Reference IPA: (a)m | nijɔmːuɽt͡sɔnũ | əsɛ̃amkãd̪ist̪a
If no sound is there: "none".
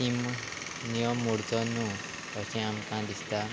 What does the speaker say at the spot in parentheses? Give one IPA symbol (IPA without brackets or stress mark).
i